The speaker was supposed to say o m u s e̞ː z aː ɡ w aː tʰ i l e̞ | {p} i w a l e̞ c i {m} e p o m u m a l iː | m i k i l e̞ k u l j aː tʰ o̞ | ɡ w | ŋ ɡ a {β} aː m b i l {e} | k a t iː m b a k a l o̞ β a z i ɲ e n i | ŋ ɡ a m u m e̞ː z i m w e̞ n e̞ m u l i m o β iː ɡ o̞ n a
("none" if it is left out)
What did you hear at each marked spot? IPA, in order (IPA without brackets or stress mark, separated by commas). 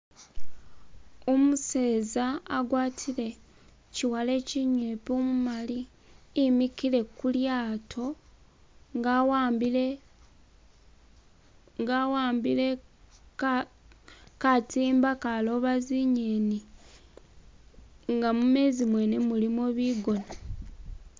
c, ɲ, w, e